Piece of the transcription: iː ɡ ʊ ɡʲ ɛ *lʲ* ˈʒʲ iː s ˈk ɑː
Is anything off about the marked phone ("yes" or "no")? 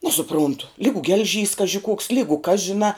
no